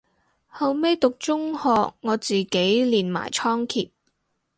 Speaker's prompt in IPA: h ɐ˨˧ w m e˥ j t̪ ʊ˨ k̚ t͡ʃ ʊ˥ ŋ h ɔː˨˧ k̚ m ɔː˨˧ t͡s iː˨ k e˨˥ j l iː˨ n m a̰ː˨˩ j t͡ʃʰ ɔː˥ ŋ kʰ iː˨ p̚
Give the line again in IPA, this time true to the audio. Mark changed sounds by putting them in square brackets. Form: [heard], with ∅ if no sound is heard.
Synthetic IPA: h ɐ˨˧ w m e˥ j t̪ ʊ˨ k̚ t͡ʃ ʊ˥ ŋ h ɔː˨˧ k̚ [ŋ] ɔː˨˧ t͡s iː˨ k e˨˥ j l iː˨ n m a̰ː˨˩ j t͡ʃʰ ɔː˥ ŋ kʰ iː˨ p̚